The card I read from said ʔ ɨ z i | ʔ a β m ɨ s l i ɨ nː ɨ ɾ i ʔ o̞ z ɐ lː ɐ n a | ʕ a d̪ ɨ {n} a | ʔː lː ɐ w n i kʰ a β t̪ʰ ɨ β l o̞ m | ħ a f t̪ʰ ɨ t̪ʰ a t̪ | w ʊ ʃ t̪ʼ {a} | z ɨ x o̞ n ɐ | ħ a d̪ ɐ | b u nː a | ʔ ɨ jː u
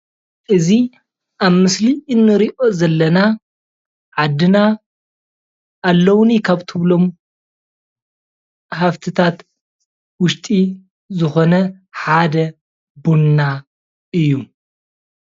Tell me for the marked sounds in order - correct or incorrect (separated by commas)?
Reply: correct, incorrect